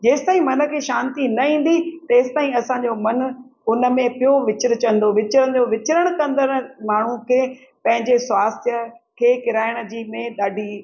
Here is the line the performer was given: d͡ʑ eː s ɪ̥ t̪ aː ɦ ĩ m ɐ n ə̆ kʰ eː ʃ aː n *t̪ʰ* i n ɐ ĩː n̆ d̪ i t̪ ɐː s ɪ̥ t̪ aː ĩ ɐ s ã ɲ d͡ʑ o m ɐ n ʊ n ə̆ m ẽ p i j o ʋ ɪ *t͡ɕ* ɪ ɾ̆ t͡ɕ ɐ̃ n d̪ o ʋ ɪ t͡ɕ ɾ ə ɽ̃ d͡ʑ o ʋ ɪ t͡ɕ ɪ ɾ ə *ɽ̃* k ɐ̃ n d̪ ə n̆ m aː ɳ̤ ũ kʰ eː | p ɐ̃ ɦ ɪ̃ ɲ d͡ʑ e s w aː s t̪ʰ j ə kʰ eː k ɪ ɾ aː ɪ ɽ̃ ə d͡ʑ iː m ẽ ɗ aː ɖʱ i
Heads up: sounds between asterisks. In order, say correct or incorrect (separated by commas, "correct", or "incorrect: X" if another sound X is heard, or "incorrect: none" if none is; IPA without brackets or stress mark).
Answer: incorrect: t̪, correct, correct